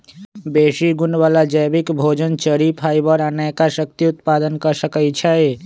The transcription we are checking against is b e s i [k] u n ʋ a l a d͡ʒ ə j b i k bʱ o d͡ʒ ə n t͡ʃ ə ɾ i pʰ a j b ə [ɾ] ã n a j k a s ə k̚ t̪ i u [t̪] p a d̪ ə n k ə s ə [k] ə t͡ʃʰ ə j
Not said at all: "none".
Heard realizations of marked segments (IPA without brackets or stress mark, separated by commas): ɡ, ɾ, t̪, k